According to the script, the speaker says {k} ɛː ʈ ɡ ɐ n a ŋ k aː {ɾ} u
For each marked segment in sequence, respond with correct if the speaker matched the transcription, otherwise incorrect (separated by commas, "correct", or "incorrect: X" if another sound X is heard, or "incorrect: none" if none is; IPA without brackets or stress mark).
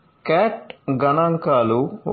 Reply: correct, incorrect: l